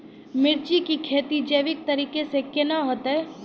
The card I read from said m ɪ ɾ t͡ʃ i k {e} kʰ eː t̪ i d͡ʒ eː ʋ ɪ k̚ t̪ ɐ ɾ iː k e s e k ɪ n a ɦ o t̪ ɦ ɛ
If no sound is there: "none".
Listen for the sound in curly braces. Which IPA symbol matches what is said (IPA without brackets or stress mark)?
i